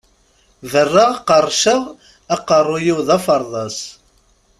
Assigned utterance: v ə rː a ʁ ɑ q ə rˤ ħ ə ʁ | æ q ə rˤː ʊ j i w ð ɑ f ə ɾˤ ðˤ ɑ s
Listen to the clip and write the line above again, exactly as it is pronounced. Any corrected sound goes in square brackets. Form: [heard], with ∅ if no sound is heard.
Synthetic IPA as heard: v ə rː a ʁ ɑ q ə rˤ [ʃ] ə ʁ | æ q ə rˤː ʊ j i w ð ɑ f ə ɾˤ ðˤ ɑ s